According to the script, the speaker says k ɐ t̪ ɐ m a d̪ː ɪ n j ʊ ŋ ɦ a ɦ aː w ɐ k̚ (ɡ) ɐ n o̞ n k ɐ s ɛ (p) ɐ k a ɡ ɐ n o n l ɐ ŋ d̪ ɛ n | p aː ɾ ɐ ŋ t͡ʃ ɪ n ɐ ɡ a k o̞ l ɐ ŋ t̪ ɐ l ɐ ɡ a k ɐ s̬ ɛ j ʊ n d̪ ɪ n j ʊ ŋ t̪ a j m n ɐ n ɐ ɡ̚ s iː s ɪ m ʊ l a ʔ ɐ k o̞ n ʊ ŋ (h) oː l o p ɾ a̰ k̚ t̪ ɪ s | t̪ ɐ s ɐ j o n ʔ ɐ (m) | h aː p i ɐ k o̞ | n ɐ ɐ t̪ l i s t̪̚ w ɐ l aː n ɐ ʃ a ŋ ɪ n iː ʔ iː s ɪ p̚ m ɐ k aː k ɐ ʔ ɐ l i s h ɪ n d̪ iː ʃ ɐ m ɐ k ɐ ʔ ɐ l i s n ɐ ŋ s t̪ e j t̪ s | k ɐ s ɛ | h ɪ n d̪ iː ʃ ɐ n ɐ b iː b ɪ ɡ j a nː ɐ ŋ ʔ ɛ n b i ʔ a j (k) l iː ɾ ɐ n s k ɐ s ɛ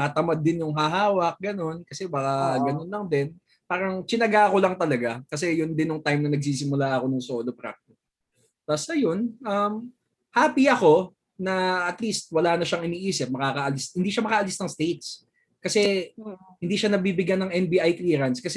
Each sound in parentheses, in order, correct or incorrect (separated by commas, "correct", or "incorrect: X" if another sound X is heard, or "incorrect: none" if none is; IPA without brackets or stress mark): correct, incorrect: b, incorrect: s, correct, correct